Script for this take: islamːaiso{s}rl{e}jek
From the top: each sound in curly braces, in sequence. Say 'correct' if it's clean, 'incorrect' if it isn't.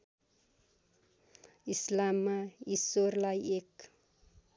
incorrect, incorrect

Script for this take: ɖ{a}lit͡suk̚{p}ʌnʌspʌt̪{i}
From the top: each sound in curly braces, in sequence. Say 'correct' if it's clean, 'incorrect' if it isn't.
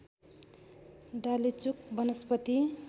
correct, incorrect, correct

